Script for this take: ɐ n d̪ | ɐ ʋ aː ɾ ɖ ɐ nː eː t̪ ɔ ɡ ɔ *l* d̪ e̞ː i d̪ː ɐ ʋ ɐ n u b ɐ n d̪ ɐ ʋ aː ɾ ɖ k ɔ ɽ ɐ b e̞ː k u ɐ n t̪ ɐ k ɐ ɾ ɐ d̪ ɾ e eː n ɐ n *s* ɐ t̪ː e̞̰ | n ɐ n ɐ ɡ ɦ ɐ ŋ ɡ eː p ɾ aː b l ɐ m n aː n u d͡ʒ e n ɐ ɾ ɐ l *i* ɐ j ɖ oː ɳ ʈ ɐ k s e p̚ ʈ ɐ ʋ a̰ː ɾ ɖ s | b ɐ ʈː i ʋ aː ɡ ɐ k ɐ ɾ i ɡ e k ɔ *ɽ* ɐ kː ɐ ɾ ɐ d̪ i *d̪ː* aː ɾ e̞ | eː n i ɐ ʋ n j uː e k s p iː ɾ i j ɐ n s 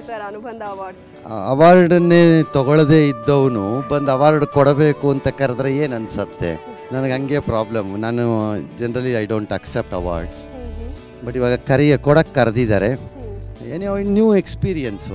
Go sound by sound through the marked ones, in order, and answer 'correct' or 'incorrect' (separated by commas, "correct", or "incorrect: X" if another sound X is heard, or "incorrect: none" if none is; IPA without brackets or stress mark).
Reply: incorrect: ɭ, correct, correct, correct, incorrect: d̪